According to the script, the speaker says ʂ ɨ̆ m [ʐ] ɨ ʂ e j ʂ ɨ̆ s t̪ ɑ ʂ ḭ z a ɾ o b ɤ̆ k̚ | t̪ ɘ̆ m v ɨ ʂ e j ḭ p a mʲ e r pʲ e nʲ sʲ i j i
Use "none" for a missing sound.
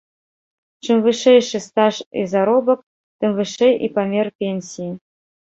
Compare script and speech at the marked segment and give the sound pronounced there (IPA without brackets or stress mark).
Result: v